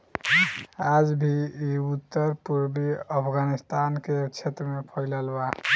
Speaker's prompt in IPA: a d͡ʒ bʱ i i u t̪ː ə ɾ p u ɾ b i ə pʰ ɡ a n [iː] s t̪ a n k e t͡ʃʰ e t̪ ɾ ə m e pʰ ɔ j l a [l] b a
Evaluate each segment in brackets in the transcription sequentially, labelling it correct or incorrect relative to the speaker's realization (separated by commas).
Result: incorrect, correct